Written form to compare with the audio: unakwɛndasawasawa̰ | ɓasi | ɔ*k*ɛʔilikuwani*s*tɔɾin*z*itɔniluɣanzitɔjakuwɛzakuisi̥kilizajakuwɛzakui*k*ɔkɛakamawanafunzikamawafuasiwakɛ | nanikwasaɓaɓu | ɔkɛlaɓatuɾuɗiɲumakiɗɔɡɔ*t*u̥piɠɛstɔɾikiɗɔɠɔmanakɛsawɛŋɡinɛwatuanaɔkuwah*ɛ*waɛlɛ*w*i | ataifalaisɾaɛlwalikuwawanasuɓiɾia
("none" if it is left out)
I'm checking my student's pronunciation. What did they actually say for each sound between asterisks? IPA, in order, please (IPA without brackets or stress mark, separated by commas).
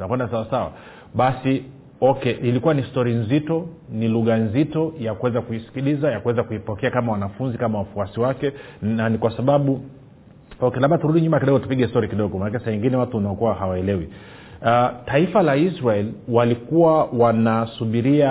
k, s, z, p, t, a, w